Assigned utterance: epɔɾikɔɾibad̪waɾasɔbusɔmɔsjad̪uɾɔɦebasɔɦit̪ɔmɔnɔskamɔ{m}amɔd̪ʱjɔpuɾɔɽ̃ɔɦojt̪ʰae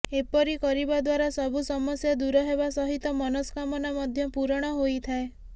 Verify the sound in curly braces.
incorrect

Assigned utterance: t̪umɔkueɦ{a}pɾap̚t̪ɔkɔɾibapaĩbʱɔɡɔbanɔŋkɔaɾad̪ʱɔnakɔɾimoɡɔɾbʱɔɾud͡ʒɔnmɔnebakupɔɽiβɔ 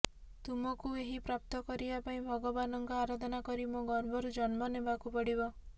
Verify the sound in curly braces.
incorrect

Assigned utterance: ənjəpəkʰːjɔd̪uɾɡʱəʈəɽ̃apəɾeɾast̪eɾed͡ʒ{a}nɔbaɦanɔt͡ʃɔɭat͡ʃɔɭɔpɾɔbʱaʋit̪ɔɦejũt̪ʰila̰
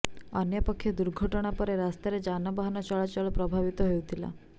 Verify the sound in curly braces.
correct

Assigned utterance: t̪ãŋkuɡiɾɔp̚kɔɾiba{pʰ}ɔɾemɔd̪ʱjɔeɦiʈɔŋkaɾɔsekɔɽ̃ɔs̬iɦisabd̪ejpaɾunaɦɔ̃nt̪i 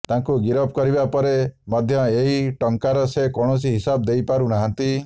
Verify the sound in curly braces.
incorrect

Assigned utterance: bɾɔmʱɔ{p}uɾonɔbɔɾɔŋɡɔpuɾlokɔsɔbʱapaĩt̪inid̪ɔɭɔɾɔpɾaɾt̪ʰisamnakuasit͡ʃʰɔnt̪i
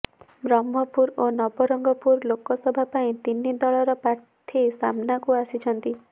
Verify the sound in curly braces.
correct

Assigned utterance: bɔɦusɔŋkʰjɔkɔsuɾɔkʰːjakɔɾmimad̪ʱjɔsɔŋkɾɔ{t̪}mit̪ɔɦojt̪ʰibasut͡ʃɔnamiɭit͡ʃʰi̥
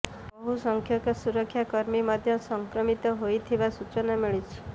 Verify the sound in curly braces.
incorrect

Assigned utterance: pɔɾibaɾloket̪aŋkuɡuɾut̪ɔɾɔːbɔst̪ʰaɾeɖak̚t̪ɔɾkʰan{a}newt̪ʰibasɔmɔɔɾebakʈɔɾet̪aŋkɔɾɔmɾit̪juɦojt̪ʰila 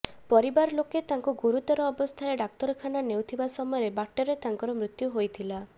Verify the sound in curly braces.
correct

